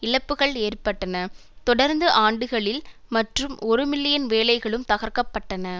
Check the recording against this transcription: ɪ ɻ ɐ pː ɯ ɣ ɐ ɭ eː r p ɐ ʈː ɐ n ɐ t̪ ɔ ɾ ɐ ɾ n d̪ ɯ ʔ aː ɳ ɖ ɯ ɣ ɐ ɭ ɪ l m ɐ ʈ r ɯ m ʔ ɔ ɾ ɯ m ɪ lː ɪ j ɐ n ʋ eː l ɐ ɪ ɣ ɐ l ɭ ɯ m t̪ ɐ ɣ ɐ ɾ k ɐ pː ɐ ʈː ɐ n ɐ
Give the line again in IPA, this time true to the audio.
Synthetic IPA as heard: ɪ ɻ ɐ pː ɯ ɣ ɐ ɭ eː r p ɐ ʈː ɐ n ɐ t̪ ɔ ɽ ɐ ɾ n d̪ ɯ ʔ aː ɳ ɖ ɯ ɣ ɐ ɭ ɪ l m ɐ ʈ r ɯ m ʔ ɔ ɾ ɯ m ɪ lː ɪ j ɐ n ʋ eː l ɐ ɪ ɣ ɐ ɭ ɯ m t̪ ɐ ɣ ɐ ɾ k ɐ pː ɐ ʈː ɐ n ɐ